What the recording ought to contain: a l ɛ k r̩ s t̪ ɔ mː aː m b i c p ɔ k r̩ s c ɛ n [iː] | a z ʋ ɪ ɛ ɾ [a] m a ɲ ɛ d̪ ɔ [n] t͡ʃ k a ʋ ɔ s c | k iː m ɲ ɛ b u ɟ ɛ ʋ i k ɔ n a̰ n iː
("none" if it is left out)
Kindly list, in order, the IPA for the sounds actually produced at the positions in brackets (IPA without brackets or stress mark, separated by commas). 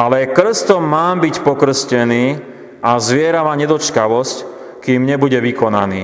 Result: iː, a, none